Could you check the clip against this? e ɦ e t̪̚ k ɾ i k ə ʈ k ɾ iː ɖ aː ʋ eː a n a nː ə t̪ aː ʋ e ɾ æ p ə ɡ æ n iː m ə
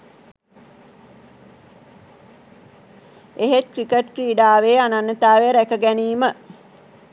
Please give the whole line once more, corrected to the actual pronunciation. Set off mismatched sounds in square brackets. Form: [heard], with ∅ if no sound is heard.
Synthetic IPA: e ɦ e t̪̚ k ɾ i k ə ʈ k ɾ iː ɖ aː ʋ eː a n a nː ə t̪ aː ʋ e ɾ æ [k] ə ɡ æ n iː m ə